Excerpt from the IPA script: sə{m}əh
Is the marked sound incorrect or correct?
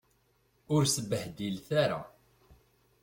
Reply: incorrect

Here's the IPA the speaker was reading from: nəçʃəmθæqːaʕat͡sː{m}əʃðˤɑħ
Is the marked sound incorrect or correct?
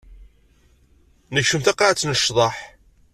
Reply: incorrect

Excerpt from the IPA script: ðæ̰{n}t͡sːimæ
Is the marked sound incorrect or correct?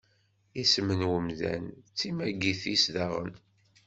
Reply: correct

